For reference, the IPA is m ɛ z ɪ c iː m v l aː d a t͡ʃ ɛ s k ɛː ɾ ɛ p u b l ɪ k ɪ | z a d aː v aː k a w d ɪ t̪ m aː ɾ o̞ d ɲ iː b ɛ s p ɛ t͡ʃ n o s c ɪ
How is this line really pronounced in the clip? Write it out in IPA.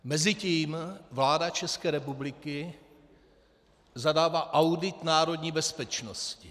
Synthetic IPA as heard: m ɛ z ɪ c iː m v l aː d a t͡ʃ ɛ s k ɛː ɾ ɛ p u b l ɪ k ɪ | z a d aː v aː ʔ a w d ɪ t̪ n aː ɾ o̞ d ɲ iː b ɛ s p ɛ t͡ʃ n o s c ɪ